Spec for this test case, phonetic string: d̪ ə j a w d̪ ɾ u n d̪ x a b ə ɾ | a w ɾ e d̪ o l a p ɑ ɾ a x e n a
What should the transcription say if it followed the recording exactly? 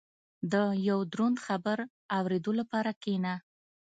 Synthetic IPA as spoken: d̪ ə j a w d̪ ɾ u n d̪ x a b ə ɾ | a w ɾ e d̪ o l a p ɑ ɾ a k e n a